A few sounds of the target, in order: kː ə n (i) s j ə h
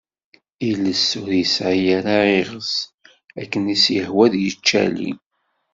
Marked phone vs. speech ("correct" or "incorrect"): correct